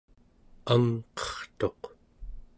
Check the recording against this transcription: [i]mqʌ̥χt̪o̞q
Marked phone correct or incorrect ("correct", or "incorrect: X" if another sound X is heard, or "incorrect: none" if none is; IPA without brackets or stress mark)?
incorrect: a